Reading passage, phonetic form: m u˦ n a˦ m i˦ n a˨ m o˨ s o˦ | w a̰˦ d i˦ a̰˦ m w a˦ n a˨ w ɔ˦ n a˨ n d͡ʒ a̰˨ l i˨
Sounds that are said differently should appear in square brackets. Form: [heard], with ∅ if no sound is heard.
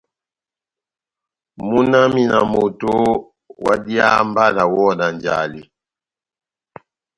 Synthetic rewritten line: m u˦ n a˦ m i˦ n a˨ m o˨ [t] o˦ | w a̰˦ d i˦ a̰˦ m [b] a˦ n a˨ w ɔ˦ n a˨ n d͡ʒ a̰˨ l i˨